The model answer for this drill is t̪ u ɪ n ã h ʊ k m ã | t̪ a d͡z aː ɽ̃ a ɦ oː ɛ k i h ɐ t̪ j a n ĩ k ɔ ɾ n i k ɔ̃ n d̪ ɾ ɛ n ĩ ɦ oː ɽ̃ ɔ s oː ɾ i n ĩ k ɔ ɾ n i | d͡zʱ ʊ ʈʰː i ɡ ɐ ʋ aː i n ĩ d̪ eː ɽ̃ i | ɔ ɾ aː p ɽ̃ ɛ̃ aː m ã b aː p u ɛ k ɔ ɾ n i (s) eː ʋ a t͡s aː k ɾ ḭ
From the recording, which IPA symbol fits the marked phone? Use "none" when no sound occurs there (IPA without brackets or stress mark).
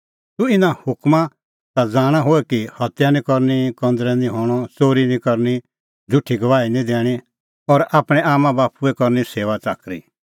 s